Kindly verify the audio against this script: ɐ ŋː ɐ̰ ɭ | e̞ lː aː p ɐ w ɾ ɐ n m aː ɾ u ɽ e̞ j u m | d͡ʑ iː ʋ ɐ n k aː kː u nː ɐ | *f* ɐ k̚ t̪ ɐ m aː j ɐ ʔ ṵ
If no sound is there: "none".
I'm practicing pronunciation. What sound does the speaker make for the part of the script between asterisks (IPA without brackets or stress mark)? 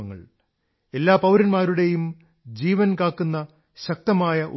ɕ